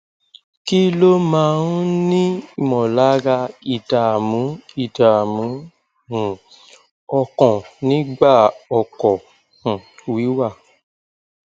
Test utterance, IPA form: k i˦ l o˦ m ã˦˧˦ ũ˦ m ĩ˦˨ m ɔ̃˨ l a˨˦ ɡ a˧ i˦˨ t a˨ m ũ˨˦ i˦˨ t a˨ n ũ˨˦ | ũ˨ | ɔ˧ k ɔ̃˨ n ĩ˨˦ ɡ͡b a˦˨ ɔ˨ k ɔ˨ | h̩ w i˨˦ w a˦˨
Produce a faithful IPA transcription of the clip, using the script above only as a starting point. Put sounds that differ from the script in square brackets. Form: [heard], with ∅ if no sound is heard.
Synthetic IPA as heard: k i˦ l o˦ m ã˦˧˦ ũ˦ [n] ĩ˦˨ m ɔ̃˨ l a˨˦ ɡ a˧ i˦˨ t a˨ m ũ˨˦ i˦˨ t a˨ [m] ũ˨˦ | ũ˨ | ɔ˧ k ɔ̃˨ n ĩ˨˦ ɡ͡b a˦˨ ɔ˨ k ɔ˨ | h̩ w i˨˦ w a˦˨